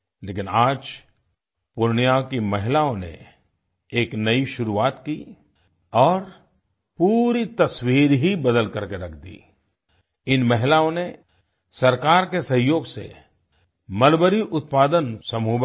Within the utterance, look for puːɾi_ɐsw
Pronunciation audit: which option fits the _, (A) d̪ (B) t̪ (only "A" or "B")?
B